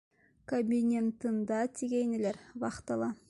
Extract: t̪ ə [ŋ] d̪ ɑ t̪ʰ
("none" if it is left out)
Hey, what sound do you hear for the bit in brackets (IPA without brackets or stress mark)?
n